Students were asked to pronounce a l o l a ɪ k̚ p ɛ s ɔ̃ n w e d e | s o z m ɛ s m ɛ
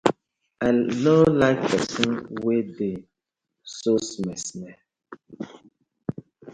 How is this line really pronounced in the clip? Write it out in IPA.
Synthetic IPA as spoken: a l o l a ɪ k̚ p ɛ s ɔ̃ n w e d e | s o s m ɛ s m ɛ